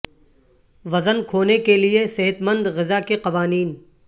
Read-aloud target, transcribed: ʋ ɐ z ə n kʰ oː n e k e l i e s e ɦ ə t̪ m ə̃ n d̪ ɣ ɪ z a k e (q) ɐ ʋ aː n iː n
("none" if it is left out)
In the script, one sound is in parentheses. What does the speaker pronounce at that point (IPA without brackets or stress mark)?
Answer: q